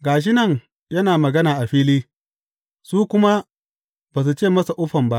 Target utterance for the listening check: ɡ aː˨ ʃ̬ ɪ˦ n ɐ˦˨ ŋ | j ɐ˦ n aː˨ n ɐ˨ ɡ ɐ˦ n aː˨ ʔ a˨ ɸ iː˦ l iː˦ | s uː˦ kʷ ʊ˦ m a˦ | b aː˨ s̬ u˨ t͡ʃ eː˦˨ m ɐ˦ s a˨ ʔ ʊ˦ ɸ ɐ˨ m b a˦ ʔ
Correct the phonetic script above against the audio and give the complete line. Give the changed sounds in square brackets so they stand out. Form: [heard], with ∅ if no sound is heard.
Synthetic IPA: ɡ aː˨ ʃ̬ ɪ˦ n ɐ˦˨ ŋ | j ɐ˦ n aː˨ [m] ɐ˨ ɡ ɐ˦ n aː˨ ʔ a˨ ɸ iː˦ l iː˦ | s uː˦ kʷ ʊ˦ m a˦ | b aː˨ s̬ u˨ t͡ʃ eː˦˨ m ɐ˦ s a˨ ʔ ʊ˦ ɸ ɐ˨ m b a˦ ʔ